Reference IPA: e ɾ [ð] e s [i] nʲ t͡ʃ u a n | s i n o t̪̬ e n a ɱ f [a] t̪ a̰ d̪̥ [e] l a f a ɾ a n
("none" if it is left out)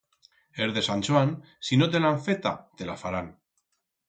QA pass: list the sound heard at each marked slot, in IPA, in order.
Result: ð, a, e, e

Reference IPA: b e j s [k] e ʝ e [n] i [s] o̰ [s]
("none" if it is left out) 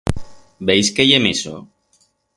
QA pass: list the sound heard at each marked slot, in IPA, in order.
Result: k, m, s, none

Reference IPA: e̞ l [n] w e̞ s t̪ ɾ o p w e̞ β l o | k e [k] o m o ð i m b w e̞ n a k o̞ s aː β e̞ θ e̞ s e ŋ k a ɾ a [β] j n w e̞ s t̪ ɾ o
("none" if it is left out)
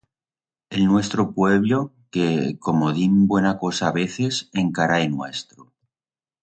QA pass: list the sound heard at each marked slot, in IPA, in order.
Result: n, k, none

